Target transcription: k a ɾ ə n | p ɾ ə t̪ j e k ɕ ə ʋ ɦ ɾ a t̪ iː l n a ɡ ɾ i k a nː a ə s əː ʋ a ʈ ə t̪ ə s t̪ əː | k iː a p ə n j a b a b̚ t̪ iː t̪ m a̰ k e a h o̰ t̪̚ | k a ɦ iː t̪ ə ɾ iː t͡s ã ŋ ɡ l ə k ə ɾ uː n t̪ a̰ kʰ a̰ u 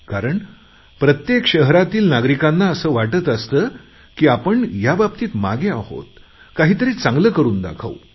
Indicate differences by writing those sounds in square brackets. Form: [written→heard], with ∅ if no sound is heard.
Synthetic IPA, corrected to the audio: k a ɾ ə [n→ɳ] | p ɾ ə t̪ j e k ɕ ə [ʋ→∅] ɦ ɾ a t̪ iː l n a ɡ ɾ i k a nː a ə s əː ʋ a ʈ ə t̪ ə s t̪ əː | k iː a p ə [n→ɳ] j a b a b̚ t̪ iː t̪ m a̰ [k→ɡ] e a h o̰ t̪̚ | k a ɦ iː t̪ ə ɾ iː t͡s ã ŋ ɡ l ə k ə ɾ uː n [t̪→d̪] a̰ kʰ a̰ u